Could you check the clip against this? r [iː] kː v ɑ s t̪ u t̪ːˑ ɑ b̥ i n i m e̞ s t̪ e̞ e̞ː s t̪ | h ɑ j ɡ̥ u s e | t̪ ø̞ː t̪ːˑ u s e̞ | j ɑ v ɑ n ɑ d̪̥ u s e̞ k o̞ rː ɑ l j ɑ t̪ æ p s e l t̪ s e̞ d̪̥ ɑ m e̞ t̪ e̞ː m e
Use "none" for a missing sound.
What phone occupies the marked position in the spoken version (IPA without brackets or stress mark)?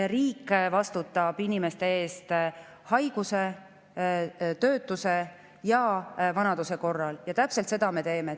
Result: iː